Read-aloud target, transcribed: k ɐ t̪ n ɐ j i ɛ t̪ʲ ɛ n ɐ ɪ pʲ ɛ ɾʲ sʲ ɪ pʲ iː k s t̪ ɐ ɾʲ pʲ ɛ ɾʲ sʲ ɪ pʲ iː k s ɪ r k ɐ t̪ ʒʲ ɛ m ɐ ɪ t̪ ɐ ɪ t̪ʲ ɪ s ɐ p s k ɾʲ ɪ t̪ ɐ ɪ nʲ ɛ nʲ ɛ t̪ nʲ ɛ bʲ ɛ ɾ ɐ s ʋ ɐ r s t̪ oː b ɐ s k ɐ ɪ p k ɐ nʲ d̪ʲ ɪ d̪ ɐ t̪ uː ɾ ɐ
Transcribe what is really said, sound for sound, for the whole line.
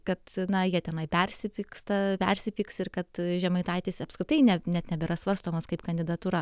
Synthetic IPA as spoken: k ɐ t̪ n ɐ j i ɛ t̪ʲ ɛ n ɐ ɪ pʲ ɛ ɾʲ sʲ ɪ pʲ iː k s t̪ ɐ pʲ ɛ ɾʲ sʲ ɪ pʲ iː k s ɪ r k ɐ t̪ ʒʲ ɛ m ɐ ɪ t̪ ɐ ɪ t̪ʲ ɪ s ɐ p s k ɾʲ ɪ t̪ ɐ ɪ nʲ ɛ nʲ ɛ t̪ nʲ ɛ bʲ ɛ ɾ ɐ s ʋ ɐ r s t̪ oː m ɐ s k ɐ ɪ p k ɐ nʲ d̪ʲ ɪ d̪ ɐ t̪ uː ɾ ɐ